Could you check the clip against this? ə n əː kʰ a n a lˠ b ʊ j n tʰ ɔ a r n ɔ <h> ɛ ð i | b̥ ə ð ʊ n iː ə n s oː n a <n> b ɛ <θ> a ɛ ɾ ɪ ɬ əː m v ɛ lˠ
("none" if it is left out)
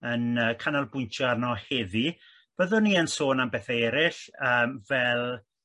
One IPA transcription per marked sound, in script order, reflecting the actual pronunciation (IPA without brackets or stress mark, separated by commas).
h, m, θ